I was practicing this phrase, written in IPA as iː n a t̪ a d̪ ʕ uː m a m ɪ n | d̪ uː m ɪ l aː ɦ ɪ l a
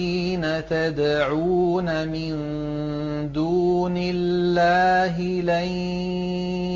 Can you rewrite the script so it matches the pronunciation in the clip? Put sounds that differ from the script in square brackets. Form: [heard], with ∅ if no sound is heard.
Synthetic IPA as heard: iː n a t̪ a d̪ ʕ uː [n] a m ɪ n | d̪ uː [n] ɪ [lː] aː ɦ ɪ l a

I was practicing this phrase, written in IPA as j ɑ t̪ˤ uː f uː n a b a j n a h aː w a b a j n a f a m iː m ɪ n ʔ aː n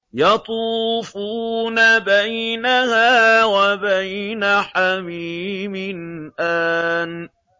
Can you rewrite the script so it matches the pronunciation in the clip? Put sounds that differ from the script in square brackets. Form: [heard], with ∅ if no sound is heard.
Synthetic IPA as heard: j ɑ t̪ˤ uː f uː n a b a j n a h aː w a b a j n a [ħ] a m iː m ɪ n ʔ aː n

